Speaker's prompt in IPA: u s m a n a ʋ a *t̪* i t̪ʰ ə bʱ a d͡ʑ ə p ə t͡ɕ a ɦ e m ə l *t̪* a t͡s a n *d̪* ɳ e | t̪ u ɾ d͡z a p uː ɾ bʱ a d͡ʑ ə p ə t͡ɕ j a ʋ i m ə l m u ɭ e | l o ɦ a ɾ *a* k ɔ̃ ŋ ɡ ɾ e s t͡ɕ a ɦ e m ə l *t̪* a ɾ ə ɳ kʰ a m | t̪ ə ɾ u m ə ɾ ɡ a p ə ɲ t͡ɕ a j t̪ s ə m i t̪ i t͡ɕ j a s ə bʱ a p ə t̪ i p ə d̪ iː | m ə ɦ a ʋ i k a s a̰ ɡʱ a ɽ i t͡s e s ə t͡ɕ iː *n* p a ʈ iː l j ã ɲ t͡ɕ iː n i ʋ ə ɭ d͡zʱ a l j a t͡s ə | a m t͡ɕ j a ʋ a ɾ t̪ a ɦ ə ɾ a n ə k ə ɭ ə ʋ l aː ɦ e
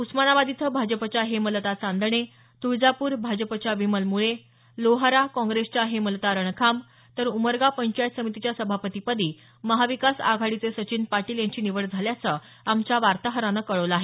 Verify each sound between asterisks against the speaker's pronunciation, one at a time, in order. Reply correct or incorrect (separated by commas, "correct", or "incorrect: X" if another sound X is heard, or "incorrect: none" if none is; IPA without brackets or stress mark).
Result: incorrect: d̪, correct, correct, correct, correct, correct